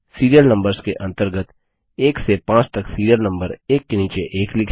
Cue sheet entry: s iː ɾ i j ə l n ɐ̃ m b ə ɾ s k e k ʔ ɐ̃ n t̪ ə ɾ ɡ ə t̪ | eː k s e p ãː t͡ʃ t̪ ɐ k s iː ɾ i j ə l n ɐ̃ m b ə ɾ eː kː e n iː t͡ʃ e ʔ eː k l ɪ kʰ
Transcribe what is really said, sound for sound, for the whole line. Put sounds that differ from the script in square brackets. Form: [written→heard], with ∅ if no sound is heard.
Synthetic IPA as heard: s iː ɾ i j ə l n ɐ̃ m b ə ɾ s k e [k→∅] ʔ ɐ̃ n t̪ ə ɾ ɡ ə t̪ | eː k s e p ãː t͡ʃ t̪ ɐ k s iː ɾ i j ə l n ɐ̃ m b ə ɾ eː kː e n iː t͡ʃ e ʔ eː k l ɪ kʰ

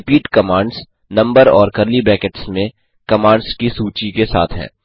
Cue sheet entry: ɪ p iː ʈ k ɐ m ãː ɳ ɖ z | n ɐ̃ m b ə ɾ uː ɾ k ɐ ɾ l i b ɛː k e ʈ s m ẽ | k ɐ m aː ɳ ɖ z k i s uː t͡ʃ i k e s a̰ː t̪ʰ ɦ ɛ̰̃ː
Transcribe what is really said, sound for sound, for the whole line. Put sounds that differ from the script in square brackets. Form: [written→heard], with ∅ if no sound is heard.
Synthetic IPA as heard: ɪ p iː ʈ k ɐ m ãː ɳ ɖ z | n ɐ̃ m b ə ɾ [uː→ɔː] ɾ k ɐ ɾ l i b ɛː k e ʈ s m ẽ | k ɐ m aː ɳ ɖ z k i s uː t͡ʃ i k e s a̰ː t̪ʰ ɦ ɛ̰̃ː

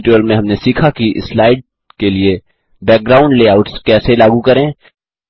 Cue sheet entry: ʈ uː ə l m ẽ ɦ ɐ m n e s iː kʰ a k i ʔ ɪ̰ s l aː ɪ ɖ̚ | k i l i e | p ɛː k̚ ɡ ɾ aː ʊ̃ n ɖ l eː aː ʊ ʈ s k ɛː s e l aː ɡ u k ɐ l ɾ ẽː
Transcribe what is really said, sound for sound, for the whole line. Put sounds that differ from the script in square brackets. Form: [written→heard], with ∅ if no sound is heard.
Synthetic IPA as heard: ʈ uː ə l m ẽ ɦ ɐ m n e s iː kʰ a k i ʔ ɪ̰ s l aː ɪ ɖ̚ | k [i→e] l i e | [p→b] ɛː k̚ ɡ ɾ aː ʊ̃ [n→ɳ] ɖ l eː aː ʊ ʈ s k ɛː s e l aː ɡ u k ɐ [l→∅] ɾ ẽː

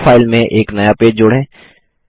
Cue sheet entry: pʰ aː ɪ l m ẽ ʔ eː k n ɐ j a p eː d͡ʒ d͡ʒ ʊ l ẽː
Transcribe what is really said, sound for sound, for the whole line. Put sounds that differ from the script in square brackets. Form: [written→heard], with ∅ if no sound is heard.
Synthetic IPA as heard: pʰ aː ɪ l m ẽ ʔ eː k n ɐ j a p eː d͡ʒ d͡ʒ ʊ [l→ɽ] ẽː

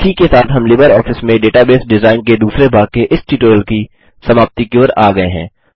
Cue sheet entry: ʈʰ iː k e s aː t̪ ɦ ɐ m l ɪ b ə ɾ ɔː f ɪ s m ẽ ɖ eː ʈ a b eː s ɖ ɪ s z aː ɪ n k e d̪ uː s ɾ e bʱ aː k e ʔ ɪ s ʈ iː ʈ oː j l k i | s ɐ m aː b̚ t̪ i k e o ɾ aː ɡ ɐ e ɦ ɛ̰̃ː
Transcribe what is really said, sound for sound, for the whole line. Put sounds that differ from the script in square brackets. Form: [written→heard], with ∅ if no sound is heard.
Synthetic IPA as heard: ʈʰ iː k e s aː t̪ ɦ ɐ m l ɪ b ə ɾ ɔː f ɪ s m ẽ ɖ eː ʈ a b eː s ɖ ɪ [s→∅] z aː ɪ n k e d̪ uː s ɾ e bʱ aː k e ʔ ɪ s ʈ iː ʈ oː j l k i | s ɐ m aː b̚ t̪ i k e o ɾ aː ɡ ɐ e ɦ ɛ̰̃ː

